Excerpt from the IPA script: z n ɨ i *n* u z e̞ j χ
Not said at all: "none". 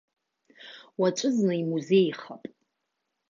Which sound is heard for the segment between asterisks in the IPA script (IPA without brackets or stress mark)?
m